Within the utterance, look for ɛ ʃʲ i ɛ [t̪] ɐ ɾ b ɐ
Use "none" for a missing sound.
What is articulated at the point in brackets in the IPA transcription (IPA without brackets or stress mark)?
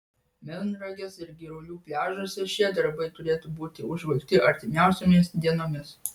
d̪